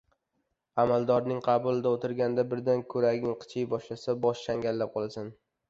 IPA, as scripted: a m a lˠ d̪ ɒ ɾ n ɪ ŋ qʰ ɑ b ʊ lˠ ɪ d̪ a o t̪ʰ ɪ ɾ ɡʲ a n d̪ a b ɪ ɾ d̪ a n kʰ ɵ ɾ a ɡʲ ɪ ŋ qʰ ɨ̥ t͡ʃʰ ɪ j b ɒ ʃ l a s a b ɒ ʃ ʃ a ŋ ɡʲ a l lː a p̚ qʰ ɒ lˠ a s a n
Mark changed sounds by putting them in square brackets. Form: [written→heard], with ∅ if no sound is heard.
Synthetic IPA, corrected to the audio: a m a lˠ d̪ ɒ ɾ n ɪ ŋ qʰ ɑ b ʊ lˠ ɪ d̪ a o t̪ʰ ɪ ɾ ɡʲ a n d̪ a b ɪ ɾ d̪ a n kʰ ɵ ɾ a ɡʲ ɪ ŋ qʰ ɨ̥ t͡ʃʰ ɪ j b ɒ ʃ l a s a b ɒ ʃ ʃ a ŋ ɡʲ a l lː a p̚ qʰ ɒ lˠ a s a n